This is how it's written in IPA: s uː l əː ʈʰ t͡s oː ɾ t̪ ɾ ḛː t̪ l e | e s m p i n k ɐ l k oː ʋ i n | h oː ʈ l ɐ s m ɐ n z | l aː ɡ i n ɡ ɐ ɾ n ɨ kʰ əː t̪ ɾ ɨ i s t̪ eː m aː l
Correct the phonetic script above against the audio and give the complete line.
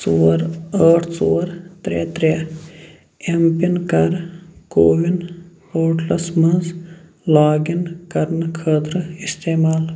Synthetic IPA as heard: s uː ɾ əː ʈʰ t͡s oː ɾ t̪ ɾ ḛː t̪ ɾ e | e m p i n k ɐ ɾ k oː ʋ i n | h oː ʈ l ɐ s m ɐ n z | l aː ɡ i n k ɐ ɾ n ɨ kʰ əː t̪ ɾ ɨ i s t̪ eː m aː l